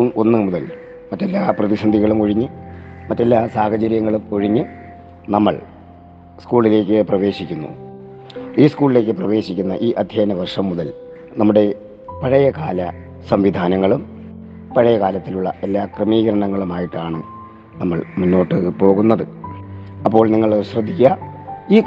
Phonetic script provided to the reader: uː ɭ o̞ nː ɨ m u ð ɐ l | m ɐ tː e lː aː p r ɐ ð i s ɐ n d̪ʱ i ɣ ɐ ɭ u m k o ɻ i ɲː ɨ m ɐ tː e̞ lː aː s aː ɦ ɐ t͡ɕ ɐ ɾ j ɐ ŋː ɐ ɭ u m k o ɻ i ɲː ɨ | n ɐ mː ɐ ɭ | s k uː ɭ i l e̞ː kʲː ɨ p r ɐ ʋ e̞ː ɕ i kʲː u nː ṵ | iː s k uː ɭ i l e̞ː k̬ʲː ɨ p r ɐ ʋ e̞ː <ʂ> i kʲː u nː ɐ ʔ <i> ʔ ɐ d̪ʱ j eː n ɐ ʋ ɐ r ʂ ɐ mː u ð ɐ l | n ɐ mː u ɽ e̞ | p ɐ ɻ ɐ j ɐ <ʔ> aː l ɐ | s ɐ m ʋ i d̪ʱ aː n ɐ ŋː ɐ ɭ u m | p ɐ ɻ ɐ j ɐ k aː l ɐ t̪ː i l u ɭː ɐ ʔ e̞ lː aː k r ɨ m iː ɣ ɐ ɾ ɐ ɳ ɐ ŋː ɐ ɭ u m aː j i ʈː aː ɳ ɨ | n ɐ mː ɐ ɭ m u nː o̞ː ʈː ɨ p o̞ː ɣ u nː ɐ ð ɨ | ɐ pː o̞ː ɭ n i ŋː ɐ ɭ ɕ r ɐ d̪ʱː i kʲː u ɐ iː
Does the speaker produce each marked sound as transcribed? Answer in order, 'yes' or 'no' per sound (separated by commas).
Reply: no, no, no